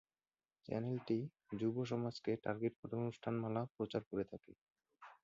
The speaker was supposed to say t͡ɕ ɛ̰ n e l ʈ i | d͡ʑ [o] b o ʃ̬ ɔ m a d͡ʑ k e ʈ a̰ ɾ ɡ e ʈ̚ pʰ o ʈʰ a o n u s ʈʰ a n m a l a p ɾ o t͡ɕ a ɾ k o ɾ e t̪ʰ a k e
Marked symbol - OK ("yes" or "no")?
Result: no